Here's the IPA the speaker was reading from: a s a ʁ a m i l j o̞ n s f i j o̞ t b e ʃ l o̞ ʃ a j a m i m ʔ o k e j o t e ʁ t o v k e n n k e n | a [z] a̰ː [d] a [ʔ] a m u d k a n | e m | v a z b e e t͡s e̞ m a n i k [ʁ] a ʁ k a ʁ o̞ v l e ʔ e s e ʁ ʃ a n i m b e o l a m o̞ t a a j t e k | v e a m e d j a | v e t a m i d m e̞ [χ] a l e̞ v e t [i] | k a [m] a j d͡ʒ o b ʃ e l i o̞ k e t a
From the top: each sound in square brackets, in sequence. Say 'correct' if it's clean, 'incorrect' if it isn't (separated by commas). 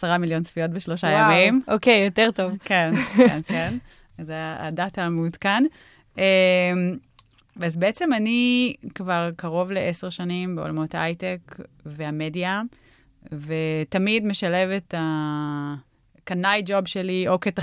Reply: correct, correct, incorrect, incorrect, incorrect, incorrect, incorrect